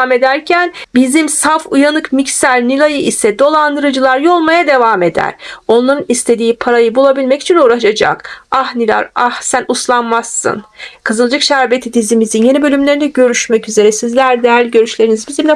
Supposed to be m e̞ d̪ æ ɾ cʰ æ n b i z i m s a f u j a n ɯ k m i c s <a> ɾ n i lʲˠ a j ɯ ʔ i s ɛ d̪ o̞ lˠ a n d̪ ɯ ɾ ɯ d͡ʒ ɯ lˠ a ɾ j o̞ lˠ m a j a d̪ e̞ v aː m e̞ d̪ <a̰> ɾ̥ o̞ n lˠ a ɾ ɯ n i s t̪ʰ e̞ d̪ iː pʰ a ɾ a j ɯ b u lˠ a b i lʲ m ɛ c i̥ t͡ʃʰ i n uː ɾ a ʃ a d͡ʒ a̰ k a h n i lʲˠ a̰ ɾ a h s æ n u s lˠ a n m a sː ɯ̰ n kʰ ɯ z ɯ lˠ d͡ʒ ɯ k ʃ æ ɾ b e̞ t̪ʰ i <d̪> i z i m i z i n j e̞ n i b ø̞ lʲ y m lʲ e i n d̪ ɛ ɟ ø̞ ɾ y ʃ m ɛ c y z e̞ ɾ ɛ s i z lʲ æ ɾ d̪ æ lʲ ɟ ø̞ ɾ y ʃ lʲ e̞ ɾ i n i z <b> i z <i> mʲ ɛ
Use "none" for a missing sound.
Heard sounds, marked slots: æ, æ̰, d̪, b, i

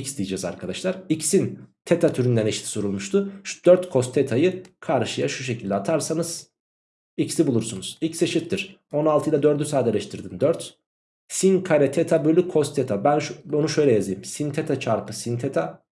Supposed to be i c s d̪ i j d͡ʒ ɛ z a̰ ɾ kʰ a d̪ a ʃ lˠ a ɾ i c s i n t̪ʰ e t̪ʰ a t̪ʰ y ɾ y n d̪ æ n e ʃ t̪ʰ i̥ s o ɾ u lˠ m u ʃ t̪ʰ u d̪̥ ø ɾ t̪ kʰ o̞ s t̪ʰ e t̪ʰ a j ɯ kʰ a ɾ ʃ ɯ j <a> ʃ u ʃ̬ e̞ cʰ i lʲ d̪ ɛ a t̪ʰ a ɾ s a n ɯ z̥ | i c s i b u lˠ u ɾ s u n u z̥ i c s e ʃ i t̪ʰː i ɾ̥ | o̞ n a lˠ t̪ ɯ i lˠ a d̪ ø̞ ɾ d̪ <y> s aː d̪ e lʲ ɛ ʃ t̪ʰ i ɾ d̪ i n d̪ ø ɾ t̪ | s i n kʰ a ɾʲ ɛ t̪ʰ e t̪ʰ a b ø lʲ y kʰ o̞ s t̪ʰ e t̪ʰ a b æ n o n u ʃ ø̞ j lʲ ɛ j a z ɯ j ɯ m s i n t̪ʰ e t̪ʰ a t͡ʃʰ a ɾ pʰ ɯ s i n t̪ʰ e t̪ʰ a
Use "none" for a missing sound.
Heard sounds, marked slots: a, y

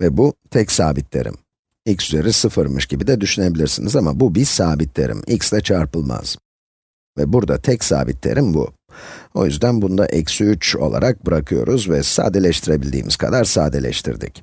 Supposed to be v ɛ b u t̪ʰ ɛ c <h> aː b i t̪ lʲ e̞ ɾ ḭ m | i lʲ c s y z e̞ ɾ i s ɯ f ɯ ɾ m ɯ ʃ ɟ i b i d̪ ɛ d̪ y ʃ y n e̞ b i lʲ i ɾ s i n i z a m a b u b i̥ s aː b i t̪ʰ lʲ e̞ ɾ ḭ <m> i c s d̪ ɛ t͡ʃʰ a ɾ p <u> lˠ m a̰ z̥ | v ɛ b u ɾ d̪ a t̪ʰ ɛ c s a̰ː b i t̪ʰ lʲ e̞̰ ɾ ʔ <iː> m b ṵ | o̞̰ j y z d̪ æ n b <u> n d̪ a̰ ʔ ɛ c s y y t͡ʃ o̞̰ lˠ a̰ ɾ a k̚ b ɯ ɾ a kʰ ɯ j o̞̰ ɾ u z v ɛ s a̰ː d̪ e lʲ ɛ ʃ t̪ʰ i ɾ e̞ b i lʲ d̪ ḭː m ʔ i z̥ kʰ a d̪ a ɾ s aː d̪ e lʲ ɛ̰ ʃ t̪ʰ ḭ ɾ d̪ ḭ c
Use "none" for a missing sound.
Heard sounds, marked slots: s, m, ɯ, i, u

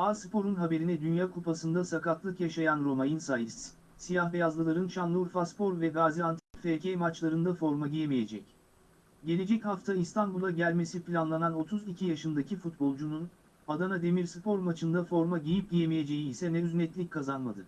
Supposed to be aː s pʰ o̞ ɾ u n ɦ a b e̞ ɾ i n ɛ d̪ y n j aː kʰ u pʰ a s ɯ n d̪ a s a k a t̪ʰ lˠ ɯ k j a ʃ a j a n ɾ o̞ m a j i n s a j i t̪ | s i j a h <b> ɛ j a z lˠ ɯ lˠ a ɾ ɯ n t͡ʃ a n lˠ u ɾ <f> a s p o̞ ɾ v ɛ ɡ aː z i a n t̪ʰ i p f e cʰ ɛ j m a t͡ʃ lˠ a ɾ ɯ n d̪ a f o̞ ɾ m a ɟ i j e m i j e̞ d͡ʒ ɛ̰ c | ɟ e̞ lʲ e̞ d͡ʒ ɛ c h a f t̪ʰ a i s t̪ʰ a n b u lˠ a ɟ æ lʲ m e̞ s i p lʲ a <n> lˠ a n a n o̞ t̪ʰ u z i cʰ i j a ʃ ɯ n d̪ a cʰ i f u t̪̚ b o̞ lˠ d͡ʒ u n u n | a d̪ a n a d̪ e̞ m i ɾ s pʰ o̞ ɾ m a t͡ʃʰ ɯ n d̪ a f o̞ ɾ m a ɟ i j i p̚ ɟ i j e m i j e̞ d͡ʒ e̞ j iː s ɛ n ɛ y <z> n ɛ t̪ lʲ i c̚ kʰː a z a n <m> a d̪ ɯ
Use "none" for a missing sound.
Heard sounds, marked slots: v, f, n, z, m

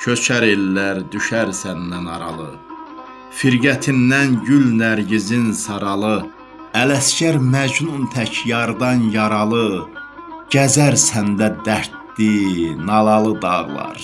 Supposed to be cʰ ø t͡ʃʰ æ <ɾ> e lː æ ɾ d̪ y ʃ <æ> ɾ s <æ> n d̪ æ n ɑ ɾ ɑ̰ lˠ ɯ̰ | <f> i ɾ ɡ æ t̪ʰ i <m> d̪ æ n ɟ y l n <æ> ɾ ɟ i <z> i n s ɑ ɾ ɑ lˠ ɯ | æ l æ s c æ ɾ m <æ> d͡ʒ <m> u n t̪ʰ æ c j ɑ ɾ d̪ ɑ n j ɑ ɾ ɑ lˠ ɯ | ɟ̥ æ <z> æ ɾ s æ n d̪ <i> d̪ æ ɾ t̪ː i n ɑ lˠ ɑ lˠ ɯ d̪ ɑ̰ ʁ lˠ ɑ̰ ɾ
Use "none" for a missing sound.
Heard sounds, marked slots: ɾ, æ, æ, f, n, æ, z, æ, n, z, æ

